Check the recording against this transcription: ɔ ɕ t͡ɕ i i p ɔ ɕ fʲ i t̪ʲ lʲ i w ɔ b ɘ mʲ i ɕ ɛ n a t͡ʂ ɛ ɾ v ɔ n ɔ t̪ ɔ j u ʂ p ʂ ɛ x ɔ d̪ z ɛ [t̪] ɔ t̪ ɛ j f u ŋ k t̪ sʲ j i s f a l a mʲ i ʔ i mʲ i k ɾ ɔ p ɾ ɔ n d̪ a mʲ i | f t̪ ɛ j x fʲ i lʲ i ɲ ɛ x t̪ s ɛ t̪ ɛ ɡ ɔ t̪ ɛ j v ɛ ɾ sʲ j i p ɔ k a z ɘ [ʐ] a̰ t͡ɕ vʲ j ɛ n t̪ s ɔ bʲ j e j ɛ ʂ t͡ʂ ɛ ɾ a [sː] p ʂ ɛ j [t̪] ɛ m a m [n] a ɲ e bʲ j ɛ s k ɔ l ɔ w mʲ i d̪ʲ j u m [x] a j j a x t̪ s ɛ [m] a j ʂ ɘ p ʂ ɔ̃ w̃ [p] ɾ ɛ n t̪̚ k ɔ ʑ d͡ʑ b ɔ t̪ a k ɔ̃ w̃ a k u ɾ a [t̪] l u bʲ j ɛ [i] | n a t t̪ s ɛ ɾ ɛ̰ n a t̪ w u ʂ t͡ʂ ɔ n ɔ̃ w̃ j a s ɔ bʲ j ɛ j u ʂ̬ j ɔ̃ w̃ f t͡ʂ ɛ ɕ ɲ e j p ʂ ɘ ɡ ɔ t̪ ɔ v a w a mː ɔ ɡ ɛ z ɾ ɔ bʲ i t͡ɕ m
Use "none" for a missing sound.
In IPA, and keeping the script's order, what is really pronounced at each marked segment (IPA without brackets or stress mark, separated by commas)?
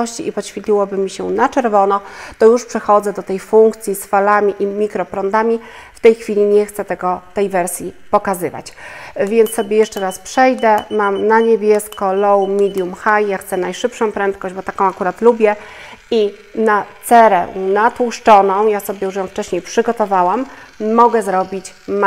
d̪, v, s, d̪, n, x, n, p, t̪, i